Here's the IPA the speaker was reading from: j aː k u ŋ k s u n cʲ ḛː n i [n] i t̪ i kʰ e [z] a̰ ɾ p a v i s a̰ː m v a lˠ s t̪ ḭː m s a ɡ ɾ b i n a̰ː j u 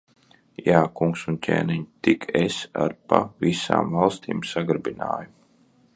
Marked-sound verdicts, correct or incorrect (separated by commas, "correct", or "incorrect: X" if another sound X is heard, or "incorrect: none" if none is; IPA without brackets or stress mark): incorrect: ɲ, incorrect: s